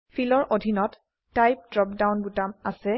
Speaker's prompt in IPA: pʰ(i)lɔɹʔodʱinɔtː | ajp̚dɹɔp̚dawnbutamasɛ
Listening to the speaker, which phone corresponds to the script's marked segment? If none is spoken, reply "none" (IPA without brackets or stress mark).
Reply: i